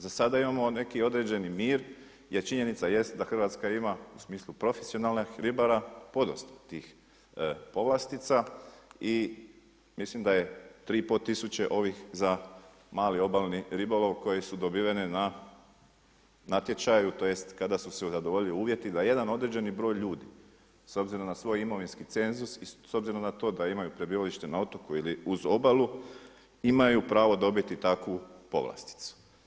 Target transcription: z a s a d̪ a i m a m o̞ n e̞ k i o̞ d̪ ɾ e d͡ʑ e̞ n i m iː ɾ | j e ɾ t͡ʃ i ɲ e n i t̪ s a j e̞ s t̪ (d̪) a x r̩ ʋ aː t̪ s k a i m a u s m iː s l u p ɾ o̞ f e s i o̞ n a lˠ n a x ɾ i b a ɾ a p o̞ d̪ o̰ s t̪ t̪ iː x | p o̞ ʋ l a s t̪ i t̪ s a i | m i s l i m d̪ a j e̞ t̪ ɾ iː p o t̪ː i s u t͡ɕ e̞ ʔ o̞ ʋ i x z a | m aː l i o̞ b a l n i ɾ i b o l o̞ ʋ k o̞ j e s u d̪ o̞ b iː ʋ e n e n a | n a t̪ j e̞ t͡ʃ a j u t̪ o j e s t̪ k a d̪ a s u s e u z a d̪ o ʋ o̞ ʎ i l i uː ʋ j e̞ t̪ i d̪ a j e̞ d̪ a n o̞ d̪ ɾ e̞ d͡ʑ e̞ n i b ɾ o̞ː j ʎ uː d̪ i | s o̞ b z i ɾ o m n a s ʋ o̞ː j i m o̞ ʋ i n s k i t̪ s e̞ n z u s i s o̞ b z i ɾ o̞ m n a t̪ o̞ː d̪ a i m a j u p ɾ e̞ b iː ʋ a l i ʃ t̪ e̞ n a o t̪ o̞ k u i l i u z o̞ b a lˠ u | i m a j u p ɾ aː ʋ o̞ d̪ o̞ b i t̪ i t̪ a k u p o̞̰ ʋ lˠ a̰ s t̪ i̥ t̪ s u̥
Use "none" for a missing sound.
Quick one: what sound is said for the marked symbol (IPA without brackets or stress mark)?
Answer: d̪